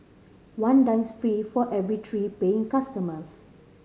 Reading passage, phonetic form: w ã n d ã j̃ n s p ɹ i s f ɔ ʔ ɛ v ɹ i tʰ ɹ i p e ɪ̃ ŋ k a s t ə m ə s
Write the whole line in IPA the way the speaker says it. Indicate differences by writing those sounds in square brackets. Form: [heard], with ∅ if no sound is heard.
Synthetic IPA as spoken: w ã n d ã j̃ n s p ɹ i [∅] f ɔ ʔ ɛ v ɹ i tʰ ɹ i p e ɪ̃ ŋ k a s t ə m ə s